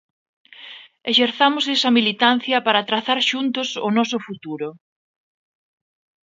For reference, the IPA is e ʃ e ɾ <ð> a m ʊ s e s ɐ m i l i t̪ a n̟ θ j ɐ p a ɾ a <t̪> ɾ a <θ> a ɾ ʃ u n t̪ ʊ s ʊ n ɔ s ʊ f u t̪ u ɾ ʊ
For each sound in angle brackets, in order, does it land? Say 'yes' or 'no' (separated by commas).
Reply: no, yes, yes